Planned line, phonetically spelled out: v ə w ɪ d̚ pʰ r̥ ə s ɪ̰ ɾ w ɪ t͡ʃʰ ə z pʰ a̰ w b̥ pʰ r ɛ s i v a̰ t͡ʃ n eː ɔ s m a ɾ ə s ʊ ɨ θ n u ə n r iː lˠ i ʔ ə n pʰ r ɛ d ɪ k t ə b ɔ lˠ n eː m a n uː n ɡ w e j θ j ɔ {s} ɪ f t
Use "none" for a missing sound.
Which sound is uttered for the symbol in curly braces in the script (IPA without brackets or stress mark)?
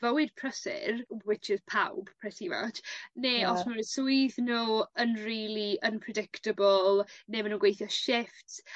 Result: ʃ